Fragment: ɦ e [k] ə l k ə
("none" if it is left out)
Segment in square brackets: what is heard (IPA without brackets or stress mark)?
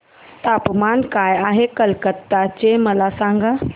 k